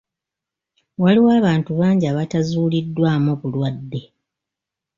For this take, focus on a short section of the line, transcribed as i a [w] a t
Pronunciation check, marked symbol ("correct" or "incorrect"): incorrect